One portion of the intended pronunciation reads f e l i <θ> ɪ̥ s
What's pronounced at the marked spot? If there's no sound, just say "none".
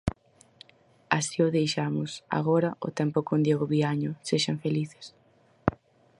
θ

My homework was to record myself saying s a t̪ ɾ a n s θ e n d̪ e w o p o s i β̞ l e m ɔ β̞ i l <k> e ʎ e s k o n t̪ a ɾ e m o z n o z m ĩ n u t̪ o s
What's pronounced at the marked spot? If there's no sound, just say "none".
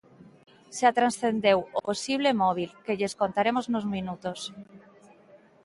k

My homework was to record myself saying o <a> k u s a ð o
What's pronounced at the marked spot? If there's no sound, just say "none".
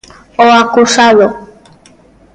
a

